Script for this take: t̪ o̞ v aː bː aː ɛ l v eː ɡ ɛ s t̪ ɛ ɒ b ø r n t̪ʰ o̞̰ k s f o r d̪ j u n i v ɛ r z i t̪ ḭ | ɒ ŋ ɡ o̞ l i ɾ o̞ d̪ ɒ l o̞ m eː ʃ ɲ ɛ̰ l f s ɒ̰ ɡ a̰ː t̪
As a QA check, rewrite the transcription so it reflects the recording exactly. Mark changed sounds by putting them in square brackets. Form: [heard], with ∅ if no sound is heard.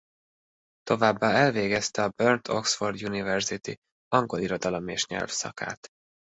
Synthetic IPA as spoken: t̪ o̞ v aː bː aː ɛ l v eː ɡ ɛ s t̪ ɛ ɒ b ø r n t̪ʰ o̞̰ k s f o r d̪ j u n i v ɛ r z i t̪ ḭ | ɒ ŋ ɡ o̞ l i ɾ o̞ d̪ ɒ l o̞ m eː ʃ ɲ ɛ̰ l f s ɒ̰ [k] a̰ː t̪